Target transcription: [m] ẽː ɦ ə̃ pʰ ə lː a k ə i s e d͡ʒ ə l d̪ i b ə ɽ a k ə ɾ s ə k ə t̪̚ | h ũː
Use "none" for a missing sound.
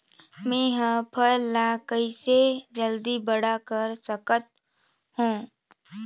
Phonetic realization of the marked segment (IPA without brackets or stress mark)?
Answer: m